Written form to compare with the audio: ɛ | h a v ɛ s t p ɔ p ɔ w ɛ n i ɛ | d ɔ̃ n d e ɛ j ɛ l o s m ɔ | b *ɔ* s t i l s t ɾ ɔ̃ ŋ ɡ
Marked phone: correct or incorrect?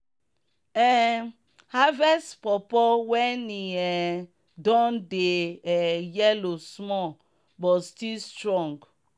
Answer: correct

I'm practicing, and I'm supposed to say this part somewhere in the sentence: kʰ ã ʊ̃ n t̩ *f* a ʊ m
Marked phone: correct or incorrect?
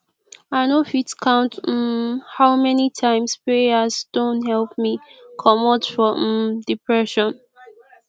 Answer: incorrect: h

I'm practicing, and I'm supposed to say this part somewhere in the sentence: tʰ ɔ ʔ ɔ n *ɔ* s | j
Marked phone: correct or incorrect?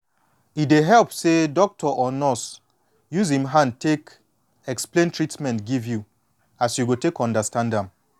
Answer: correct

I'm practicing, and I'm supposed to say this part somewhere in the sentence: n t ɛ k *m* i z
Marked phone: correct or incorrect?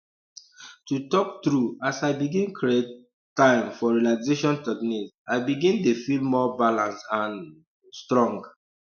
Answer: incorrect: n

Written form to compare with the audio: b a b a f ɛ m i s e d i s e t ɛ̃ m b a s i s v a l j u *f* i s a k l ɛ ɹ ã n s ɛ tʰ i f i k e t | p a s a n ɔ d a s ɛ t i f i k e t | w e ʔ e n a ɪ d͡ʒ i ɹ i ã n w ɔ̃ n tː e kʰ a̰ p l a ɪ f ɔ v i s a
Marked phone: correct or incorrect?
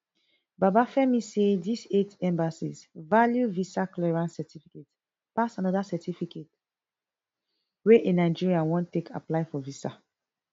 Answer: incorrect: v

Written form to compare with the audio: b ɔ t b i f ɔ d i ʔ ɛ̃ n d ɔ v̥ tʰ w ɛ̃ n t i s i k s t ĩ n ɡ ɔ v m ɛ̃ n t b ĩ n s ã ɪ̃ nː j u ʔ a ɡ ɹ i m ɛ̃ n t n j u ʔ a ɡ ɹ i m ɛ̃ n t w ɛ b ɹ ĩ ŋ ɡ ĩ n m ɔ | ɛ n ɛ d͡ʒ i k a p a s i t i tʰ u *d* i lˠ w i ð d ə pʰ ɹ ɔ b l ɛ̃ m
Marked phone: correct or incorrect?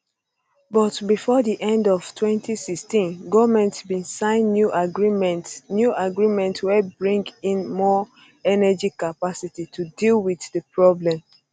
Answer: correct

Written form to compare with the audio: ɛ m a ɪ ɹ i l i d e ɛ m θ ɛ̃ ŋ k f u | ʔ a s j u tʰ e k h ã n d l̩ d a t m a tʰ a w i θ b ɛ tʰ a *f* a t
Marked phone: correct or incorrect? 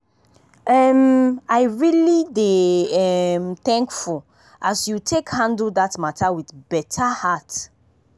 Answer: incorrect: h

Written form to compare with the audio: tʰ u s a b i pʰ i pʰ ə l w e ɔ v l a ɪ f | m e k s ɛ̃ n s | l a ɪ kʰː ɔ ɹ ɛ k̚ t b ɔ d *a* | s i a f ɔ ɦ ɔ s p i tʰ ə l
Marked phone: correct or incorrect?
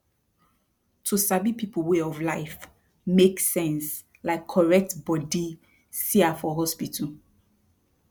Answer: incorrect: i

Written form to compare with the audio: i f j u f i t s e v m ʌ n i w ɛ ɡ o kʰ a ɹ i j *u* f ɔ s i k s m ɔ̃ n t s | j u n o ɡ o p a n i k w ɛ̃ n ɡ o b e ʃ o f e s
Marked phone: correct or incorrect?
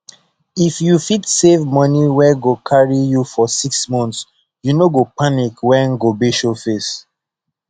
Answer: correct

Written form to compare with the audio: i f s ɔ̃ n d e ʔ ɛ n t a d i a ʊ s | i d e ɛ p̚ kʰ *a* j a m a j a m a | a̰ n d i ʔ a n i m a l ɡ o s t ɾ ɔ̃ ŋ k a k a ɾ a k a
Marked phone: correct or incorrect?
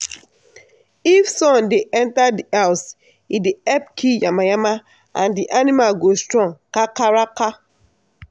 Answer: incorrect: i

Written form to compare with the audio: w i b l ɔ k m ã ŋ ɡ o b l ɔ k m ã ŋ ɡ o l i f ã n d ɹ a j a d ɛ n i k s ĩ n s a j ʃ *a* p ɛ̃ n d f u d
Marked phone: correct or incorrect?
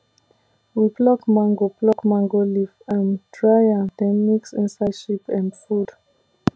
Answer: incorrect: i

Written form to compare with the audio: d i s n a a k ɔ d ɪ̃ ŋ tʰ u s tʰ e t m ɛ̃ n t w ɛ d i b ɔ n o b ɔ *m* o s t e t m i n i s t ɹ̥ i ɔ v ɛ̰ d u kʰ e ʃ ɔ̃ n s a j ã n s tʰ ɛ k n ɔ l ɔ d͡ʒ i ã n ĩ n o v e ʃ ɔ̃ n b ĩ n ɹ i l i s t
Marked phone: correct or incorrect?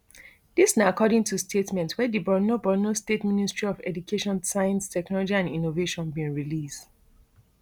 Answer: incorrect: n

